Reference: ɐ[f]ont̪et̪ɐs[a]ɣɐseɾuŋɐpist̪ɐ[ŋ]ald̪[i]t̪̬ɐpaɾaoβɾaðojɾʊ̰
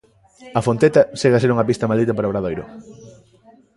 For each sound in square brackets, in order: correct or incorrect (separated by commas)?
correct, incorrect, incorrect, correct